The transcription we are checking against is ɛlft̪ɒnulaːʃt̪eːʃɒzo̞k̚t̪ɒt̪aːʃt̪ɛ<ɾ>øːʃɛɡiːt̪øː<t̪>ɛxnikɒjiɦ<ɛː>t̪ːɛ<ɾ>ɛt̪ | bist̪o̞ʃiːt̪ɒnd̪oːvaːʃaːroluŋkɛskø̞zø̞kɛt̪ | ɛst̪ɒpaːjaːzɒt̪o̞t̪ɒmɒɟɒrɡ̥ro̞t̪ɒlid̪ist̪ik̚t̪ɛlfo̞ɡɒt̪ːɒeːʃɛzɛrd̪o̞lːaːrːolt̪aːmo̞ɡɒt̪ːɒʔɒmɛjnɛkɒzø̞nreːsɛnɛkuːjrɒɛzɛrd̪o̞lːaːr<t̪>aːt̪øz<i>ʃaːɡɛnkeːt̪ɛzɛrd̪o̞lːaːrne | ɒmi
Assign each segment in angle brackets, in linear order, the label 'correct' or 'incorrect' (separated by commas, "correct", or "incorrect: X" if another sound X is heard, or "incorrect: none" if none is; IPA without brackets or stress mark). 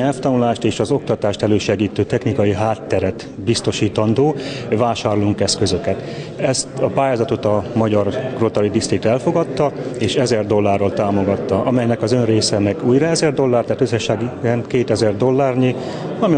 incorrect: l, correct, incorrect: aː, correct, correct, incorrect: ɛ